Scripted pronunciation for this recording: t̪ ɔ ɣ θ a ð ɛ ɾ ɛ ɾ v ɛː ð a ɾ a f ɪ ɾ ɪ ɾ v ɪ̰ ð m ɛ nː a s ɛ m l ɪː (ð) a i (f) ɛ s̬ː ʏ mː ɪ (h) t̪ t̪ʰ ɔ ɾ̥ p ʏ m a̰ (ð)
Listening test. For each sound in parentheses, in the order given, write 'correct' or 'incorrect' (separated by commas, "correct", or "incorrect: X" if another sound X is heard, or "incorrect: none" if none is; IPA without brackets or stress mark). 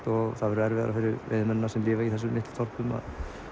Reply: incorrect: v, incorrect: θ, correct, correct